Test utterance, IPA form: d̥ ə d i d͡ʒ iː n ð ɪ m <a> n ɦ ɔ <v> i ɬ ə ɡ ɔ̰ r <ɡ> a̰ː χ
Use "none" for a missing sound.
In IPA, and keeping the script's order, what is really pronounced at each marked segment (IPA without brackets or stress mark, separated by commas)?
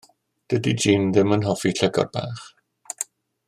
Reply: ə, f, b